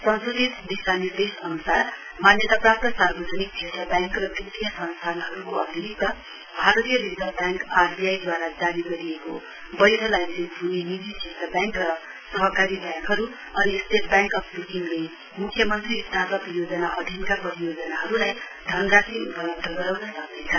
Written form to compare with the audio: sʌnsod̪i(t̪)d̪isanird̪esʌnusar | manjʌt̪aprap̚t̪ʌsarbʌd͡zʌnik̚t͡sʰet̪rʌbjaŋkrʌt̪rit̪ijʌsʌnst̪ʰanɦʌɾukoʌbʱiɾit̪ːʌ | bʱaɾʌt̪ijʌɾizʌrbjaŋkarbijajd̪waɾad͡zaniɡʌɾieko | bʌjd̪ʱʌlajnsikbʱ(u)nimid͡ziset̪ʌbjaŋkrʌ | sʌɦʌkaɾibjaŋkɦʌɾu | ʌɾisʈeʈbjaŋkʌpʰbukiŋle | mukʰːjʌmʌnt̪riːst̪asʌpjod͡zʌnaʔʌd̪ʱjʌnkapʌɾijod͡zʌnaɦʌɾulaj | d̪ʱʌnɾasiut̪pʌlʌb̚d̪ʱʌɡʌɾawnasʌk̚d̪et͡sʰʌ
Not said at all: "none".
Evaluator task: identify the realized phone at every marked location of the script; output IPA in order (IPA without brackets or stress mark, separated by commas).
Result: t̪, u